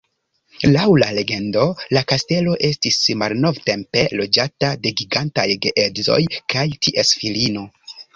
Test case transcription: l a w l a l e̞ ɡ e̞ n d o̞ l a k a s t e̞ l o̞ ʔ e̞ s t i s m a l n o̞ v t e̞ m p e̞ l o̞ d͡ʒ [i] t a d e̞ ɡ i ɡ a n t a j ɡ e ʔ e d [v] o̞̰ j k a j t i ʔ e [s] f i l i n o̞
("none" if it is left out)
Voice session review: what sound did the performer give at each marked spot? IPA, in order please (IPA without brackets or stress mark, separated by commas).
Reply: a, z, s